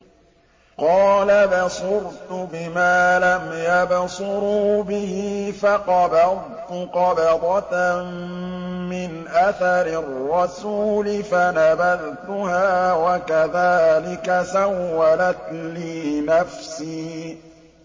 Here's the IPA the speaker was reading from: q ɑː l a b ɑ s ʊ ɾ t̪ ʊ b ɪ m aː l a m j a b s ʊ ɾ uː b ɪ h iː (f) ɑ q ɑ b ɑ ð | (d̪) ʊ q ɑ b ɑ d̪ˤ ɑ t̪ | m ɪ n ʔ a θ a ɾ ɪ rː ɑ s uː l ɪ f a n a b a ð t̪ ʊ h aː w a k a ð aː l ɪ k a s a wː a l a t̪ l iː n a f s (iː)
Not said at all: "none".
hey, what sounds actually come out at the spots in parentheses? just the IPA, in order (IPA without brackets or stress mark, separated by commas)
f, t̪, iː